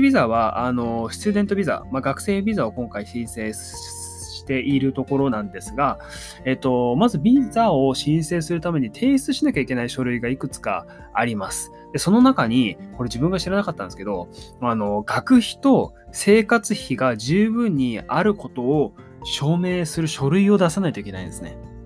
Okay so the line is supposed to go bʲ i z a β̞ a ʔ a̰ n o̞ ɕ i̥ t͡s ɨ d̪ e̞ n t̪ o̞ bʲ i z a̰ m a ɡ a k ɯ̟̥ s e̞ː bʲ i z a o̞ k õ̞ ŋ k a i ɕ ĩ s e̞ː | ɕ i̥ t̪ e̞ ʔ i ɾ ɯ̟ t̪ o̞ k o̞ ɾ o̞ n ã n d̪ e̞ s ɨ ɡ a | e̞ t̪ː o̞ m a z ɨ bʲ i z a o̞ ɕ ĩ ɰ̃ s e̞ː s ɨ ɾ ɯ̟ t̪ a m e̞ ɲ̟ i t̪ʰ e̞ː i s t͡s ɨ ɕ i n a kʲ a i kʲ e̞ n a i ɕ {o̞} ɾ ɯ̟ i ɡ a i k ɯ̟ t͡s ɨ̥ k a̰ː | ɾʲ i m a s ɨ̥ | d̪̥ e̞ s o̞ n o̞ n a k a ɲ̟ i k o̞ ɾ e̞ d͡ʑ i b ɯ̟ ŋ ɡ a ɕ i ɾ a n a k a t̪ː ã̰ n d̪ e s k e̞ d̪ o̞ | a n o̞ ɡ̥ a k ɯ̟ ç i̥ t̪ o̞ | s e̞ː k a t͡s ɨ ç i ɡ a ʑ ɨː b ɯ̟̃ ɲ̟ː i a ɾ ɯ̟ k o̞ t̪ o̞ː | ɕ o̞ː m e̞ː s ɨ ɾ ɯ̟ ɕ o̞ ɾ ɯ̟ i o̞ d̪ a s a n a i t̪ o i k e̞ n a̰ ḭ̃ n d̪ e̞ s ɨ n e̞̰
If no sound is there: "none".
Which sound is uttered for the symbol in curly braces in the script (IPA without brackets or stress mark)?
o̞